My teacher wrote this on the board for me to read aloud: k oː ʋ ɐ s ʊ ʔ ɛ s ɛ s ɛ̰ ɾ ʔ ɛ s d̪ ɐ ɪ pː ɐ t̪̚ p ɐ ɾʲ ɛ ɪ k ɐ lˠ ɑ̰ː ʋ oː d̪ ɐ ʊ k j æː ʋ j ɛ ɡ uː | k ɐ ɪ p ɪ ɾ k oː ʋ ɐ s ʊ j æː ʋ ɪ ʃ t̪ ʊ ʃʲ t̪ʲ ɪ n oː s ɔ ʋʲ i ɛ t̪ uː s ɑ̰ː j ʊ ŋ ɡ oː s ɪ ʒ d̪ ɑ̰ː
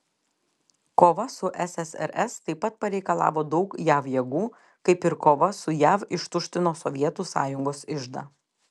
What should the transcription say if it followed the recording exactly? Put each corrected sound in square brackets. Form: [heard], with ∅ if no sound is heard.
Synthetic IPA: k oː ʋ ɐ s ʊ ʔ ɛ s ɛ s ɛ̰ ɾ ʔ ɛ s [t̪] ɐ ɪ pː ɐ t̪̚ p ɐ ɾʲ ɛ ɪ k ɐ lˠ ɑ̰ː ʋ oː d̪ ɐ ʊ k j æː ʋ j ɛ ɡ uː | k ɐ ɪ p ɪ ɾ k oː ʋ ɐ s ʊ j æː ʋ ɪ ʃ t̪ ʊ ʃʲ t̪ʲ ɪ n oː s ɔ ʋʲ i ɛ t̪ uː s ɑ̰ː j ʊ ŋ ɡ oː s ɪ ʒ d̪ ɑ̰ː